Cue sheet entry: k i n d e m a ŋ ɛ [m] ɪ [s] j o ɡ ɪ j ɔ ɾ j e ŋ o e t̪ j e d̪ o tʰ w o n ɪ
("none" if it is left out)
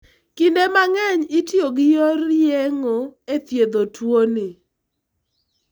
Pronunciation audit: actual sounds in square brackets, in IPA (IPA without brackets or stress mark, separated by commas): ɲ, t